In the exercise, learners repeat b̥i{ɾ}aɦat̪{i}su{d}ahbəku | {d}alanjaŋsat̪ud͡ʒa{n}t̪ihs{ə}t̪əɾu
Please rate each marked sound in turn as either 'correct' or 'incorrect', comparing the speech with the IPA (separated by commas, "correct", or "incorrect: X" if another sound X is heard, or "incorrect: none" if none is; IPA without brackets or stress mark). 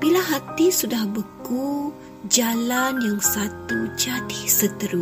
incorrect: l, correct, correct, incorrect: d͡ʒ, incorrect: none, correct